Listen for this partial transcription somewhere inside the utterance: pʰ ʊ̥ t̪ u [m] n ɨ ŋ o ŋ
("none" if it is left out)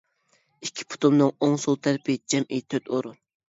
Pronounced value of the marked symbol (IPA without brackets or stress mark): m